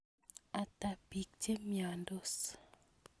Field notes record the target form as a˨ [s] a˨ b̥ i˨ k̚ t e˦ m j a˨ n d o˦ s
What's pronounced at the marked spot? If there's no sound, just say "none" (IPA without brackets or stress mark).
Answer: t